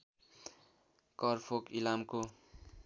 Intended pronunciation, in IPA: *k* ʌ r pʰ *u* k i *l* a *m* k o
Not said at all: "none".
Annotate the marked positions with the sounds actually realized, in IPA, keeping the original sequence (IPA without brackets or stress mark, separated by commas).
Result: k, o, l, m